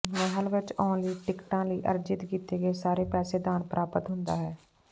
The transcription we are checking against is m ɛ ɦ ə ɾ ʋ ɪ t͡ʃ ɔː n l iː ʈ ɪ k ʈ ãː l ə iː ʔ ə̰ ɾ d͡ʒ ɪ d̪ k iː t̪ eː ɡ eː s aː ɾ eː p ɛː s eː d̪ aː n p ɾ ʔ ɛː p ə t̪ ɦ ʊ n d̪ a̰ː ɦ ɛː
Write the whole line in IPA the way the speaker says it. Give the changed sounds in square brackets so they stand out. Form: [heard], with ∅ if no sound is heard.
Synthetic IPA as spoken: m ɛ ɦ ə [l] ʋ ɪ t͡ʃ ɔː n l iː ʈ ɪ k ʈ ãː l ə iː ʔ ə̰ ɾ d͡ʒ ɪ [t̪] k iː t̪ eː ɡ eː s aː ɾ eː p ɛː s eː d̪ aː n p ɾ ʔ [aː] p ə t̪ ɦ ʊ n d̪ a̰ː ɦ ɛː